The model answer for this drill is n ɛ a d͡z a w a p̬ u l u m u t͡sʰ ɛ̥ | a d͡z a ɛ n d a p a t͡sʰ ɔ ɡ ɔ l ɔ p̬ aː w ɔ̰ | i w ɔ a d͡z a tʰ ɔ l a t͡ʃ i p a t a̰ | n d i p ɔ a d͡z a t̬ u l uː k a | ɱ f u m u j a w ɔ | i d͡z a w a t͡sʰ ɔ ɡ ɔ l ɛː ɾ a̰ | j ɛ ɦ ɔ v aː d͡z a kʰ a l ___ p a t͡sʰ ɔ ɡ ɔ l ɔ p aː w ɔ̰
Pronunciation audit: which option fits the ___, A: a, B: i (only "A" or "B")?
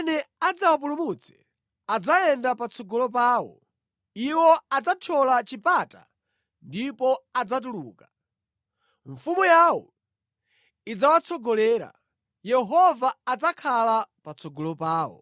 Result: A